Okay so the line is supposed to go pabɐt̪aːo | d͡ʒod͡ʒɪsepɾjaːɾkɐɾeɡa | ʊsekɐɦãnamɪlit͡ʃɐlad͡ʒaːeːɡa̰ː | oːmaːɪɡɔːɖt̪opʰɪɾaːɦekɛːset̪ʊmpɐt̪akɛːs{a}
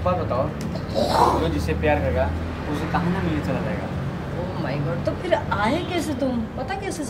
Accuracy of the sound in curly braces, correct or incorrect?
incorrect